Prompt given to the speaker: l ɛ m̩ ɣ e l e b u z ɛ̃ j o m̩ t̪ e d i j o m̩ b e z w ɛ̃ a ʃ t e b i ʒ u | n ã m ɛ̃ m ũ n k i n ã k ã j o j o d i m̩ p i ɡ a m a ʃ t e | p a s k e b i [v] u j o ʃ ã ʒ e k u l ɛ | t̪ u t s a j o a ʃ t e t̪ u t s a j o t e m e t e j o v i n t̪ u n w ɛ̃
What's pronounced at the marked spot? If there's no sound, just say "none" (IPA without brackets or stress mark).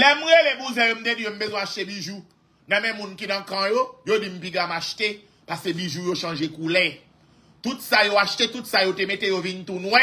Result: ʒ